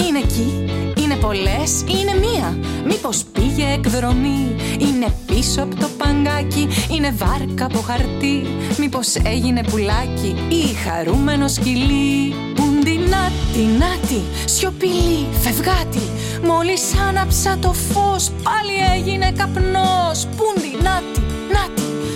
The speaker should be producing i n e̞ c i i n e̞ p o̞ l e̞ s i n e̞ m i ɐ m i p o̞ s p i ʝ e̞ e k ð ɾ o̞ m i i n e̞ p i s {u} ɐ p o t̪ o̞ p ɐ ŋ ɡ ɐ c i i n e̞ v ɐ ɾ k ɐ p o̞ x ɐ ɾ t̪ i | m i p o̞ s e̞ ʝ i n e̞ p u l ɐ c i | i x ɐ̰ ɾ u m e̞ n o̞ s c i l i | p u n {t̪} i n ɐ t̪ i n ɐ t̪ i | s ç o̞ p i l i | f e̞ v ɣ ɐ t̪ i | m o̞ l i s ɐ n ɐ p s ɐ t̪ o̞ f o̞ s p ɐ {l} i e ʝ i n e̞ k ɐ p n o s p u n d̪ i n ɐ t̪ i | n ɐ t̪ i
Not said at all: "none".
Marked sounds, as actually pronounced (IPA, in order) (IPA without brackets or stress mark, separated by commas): o, d̪, l